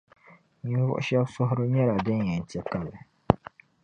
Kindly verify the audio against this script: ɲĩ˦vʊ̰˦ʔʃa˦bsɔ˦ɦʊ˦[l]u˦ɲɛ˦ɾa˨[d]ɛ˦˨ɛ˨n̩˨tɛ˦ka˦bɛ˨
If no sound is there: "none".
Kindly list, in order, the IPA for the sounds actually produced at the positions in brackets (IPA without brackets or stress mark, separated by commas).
ɾ, d